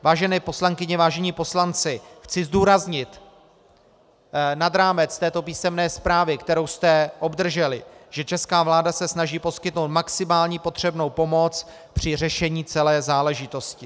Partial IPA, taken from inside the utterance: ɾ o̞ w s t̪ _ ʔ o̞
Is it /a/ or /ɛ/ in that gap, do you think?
ɛ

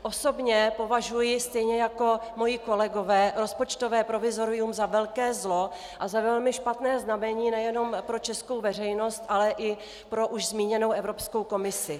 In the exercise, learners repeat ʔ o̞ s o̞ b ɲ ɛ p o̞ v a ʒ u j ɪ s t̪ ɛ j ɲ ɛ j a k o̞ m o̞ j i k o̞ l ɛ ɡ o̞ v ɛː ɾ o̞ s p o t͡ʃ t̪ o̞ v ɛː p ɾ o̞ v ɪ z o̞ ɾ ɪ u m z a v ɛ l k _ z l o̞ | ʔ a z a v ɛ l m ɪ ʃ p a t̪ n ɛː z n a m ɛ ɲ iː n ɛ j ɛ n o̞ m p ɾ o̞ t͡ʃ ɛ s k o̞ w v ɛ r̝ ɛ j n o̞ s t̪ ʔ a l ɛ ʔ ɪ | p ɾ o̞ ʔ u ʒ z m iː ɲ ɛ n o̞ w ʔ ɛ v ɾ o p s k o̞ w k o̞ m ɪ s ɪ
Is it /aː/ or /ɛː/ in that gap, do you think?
ɛː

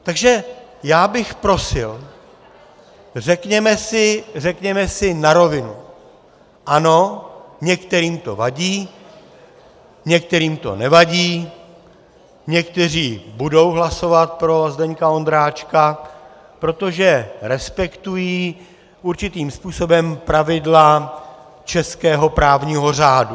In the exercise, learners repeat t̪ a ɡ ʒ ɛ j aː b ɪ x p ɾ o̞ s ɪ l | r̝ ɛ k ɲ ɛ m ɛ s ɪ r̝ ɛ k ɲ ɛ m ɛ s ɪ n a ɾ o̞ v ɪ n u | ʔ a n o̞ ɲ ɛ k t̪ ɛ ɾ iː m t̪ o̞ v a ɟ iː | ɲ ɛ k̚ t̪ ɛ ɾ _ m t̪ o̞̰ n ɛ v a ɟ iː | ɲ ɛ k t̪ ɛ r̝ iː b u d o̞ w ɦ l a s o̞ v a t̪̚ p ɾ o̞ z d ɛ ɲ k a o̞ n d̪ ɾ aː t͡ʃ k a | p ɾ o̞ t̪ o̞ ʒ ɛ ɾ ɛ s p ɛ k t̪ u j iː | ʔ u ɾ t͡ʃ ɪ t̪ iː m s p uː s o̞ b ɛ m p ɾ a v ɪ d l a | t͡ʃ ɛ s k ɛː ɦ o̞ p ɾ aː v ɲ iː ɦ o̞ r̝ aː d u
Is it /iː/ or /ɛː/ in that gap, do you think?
iː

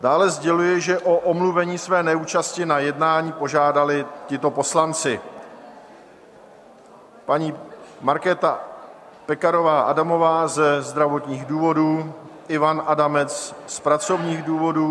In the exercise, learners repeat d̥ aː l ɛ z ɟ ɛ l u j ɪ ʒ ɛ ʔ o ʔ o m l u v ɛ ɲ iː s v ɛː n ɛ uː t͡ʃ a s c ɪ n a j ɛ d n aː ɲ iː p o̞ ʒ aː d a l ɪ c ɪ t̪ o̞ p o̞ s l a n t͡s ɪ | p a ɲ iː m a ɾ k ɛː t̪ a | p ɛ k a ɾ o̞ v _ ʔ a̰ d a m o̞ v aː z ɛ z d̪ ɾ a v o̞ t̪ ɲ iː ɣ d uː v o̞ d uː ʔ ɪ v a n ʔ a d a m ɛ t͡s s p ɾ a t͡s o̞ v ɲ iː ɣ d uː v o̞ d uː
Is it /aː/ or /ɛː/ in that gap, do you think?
aː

